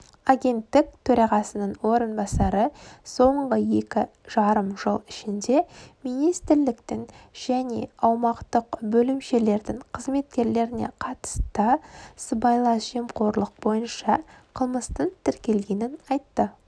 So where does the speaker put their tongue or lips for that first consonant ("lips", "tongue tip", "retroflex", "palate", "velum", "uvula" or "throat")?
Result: velum